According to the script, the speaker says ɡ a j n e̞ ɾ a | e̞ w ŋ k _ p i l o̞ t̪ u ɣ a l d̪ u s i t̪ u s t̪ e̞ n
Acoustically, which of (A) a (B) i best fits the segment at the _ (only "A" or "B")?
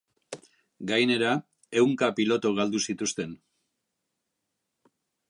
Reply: A